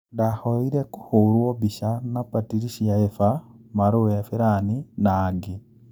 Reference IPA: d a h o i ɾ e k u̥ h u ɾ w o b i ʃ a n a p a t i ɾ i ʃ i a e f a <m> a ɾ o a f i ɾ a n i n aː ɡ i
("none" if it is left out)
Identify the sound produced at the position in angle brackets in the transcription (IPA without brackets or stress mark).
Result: m